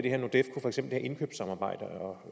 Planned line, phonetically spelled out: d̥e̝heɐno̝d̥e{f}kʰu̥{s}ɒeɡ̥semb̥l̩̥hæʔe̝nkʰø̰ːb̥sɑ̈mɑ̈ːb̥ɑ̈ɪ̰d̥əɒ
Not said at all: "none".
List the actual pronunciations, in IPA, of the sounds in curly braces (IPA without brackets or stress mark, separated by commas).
f, f